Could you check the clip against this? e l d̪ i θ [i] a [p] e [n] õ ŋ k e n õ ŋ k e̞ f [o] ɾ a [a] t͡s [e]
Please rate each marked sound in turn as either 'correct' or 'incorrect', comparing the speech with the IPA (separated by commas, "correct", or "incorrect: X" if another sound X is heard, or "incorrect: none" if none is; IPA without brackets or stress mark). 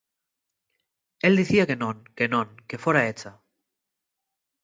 correct, incorrect: k, correct, correct, incorrect: e, incorrect: a